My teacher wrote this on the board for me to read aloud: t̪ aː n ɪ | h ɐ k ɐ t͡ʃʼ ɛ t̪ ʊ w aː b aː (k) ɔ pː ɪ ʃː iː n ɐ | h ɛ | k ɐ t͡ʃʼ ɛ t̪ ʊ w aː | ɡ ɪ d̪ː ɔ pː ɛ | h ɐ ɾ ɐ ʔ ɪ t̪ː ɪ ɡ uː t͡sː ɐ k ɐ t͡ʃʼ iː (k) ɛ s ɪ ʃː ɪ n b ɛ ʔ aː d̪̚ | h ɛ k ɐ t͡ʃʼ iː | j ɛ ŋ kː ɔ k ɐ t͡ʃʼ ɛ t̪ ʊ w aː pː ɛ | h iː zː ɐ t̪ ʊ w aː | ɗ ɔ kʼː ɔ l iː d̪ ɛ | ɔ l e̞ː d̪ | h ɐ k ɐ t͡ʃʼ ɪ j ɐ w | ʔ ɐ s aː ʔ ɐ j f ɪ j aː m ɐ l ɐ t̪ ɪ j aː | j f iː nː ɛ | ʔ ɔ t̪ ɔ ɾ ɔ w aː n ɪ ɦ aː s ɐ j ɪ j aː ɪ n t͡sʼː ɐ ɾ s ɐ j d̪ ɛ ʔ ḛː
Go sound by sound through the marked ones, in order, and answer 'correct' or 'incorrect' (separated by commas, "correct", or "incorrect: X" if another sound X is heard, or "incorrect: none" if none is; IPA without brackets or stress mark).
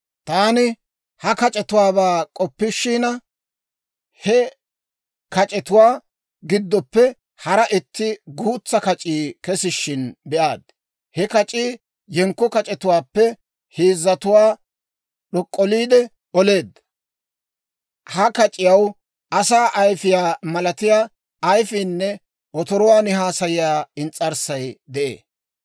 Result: incorrect: kʼ, correct